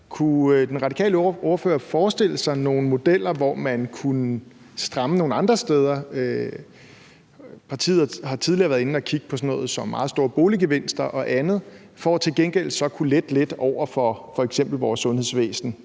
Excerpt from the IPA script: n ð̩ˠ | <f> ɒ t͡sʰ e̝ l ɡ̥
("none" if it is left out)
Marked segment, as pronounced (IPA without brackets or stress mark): f